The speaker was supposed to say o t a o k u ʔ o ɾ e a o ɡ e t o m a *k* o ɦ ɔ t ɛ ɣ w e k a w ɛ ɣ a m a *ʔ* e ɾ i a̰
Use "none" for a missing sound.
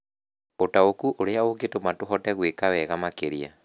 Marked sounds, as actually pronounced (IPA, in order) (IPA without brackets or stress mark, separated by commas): t, k